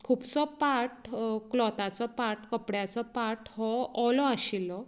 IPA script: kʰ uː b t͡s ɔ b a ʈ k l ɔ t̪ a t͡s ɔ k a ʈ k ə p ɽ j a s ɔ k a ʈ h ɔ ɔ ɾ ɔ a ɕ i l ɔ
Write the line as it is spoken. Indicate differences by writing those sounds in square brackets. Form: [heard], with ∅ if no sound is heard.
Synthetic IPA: kʰ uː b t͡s ɔ [p] a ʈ k l ɔ t̪ a t͡s ɔ [p] a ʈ k ə p ɽ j a [t͡s] ɔ [p] a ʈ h ɔ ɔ [l] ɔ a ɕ i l ɔ